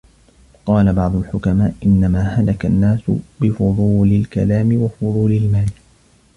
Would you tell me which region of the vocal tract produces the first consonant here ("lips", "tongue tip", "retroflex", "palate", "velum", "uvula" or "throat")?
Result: uvula